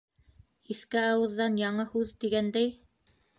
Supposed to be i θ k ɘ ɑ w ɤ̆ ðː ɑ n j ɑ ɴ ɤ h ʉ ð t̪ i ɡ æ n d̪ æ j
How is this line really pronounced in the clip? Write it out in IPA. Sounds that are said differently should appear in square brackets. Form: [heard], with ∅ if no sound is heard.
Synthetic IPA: i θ k ɘ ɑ w ɤ̆ ðː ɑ n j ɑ ɴ ɤ h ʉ ð t̪ i ɡ æ n d̪ æ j